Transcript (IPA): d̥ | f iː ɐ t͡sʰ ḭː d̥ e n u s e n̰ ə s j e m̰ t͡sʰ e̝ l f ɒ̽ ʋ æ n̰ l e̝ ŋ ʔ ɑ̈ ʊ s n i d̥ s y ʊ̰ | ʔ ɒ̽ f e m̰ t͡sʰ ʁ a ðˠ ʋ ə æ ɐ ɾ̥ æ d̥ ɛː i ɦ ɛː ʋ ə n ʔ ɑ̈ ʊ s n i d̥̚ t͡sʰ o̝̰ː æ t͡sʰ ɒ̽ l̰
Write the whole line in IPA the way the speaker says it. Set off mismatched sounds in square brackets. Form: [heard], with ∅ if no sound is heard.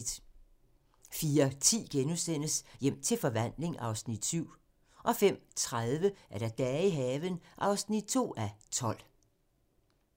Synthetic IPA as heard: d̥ | f iː ɐ t͡sʰ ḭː [ɡ̥] e n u s e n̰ ə s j e m̰ t͡sʰ e̝ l f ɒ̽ ʋ æ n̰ l e̝ ŋ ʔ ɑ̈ ʊ s n i d̥ s y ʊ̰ | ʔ ɒ̽ f e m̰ t͡sʰ ʁ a ðˠ ʋ ə æ ɐ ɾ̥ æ d̥ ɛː i ɦ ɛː ʋ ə n ʔ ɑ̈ ʊ s n i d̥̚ t͡sʰ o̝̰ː æ t͡sʰ ɒ̽ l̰